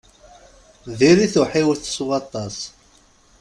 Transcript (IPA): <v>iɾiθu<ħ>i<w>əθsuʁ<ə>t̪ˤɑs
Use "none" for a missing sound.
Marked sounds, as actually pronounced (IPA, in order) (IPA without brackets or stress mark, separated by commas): ð, ħ, w, ɑ